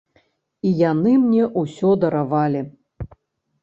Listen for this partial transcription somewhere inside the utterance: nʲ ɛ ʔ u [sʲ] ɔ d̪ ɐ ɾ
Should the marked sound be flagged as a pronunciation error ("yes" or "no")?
no